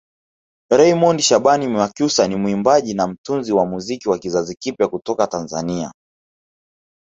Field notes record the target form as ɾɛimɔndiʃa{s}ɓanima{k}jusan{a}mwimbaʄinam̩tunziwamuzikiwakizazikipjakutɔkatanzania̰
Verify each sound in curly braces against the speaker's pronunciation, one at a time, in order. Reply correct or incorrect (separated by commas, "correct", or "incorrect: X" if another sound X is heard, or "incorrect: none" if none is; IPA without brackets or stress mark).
incorrect: none, correct, incorrect: i